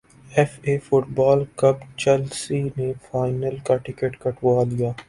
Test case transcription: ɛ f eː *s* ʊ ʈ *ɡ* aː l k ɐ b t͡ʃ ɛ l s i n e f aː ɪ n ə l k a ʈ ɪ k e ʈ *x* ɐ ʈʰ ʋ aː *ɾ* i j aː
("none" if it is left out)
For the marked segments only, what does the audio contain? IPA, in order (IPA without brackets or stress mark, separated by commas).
f, b, k, l